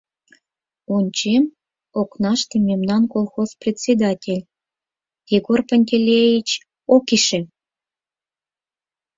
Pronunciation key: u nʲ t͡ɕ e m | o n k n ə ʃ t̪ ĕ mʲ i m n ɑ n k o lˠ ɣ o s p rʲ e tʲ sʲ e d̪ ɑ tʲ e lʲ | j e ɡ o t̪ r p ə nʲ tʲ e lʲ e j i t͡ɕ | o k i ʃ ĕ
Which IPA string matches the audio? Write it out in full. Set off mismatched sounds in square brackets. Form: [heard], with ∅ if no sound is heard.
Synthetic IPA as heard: u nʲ t͡ɕ e m | o [∅] k n [ɑ] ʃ t̪ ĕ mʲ [e] m n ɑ n k o lˠ [x] o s p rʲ e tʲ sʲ e d̪ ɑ tʲ e lʲ | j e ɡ o [∅] r p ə nʲ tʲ e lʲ e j i t͡ɕ | o k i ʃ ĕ